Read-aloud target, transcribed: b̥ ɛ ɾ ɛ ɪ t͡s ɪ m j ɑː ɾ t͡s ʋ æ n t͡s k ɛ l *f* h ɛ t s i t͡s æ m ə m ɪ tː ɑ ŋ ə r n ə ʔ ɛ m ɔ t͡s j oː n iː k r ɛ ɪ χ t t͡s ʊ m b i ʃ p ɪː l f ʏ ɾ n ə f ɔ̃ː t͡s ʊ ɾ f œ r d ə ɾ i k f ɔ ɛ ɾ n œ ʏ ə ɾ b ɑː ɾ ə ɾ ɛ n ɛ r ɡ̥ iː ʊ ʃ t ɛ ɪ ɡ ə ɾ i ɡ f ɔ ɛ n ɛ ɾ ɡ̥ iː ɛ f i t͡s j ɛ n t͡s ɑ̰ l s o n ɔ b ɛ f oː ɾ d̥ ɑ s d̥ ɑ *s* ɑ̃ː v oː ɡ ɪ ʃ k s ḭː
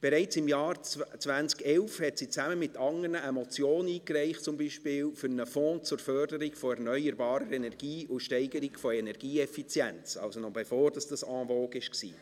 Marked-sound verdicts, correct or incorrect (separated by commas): correct, correct